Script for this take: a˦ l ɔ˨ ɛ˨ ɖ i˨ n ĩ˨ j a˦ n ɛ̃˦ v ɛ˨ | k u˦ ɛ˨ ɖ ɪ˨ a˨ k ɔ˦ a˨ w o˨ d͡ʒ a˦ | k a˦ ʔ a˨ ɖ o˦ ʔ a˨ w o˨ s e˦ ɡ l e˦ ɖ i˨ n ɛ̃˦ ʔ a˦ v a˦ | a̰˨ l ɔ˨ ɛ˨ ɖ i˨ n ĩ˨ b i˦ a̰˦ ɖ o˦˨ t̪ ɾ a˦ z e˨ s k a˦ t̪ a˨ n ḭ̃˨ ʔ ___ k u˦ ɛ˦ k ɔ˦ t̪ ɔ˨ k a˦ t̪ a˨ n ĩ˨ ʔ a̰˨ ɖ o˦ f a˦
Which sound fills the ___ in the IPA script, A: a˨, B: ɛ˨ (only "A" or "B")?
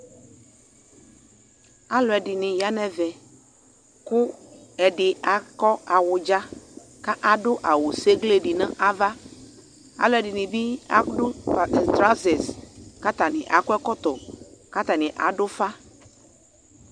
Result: A